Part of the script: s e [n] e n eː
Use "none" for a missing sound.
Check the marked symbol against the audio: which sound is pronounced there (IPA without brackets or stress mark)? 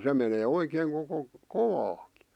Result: m